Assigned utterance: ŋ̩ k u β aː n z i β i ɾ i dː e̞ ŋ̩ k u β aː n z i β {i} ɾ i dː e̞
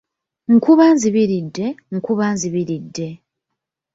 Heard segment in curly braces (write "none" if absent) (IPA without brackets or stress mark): i